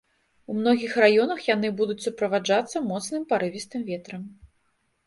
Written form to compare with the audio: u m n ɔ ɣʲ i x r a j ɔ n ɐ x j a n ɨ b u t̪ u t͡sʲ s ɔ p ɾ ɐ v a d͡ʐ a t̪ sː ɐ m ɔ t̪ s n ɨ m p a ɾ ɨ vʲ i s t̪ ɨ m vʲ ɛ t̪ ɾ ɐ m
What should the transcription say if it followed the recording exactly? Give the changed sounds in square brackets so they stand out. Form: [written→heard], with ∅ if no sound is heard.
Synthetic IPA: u m n ɔ ɣʲ i x r a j ɔ n ɐ x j a n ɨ b u [t̪→d̪] u t͡sʲ s [ɔ→u] p ɾ ɐ v a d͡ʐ a t̪ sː ɐ m ɔ t̪ s n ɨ m p a ɾ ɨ vʲ i s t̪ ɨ m vʲ ɛ t̪ ɾ ɐ m